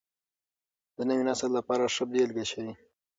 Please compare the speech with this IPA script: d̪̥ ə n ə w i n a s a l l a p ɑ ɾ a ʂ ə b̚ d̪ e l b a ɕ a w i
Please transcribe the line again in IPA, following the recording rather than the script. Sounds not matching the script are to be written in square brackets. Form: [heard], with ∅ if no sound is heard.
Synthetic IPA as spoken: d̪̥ ə n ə w i n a s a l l a p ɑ ɾ a ʂ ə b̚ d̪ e l [ɡ] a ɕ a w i